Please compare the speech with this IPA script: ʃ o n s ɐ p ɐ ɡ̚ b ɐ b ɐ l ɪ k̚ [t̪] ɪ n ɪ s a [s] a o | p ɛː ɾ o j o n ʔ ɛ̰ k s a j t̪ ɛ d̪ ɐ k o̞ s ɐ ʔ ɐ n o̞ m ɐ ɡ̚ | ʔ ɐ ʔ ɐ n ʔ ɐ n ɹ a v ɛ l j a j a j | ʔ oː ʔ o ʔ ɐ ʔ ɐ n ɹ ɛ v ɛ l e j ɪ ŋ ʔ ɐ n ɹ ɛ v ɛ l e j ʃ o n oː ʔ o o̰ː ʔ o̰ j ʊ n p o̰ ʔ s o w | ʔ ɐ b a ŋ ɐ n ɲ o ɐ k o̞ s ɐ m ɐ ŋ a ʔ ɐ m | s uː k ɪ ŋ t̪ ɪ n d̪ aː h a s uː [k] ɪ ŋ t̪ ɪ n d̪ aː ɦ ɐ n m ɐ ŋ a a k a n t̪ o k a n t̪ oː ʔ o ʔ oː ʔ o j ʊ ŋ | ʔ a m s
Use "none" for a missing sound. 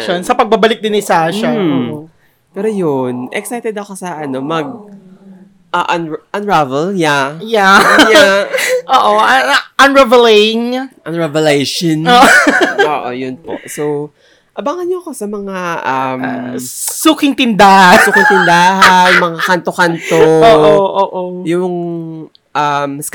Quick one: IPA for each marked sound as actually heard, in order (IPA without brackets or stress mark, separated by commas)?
d̪, ʃ, k